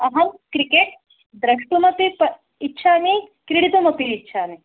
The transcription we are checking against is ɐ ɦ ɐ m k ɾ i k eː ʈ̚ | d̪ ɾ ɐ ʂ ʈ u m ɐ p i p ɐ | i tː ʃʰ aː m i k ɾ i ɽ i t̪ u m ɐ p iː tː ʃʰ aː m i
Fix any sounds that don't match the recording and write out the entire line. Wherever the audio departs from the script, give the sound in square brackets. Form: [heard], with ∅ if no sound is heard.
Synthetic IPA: ɐ ɦ ɐ m k ɾ i k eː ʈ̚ | d̪ ɾ ɐ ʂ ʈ u m ɐ p i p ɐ | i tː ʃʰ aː m i k ɾ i ɽ i t̪ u m ɐ p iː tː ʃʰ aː m i